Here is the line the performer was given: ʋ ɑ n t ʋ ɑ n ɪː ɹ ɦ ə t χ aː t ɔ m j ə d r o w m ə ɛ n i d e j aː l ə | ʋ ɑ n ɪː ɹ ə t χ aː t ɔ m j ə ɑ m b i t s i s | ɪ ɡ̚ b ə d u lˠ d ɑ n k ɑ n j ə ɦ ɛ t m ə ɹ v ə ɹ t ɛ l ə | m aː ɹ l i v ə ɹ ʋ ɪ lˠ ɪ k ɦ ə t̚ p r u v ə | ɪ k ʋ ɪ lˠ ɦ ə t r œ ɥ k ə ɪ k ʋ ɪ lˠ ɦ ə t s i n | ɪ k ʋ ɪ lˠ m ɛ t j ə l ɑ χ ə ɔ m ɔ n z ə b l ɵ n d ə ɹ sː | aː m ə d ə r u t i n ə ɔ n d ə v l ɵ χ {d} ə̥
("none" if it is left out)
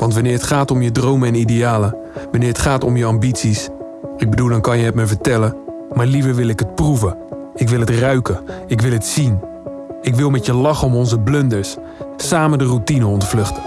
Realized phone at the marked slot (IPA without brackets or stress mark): t